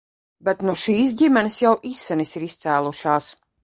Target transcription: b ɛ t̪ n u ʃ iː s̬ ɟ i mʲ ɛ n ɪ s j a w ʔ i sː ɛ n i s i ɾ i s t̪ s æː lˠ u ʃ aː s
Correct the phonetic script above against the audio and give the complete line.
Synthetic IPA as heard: b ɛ t̪ n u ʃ iː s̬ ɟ i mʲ ɛ n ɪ s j a w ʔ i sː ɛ n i s i ɾ i s t̪ s æː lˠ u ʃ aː s